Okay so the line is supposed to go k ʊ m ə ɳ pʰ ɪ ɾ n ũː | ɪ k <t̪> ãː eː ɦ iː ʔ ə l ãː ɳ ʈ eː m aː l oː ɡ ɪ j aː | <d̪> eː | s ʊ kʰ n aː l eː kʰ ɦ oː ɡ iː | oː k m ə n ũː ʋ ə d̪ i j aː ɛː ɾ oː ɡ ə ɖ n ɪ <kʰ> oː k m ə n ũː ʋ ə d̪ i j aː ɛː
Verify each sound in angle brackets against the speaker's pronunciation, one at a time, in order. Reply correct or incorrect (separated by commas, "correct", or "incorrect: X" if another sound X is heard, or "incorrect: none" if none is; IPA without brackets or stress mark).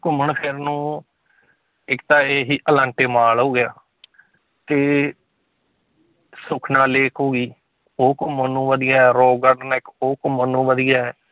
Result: correct, incorrect: t̪, incorrect: k